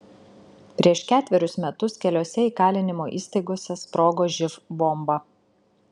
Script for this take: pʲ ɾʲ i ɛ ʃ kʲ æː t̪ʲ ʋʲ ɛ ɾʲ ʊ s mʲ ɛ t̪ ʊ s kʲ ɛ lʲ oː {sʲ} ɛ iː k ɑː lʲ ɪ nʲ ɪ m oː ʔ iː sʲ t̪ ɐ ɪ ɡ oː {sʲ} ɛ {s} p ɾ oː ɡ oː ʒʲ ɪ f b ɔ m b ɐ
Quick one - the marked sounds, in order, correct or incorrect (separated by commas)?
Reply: correct, correct, correct